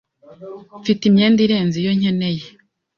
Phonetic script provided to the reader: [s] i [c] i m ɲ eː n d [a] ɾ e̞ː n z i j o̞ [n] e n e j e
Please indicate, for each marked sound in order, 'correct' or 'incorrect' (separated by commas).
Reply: incorrect, incorrect, incorrect, incorrect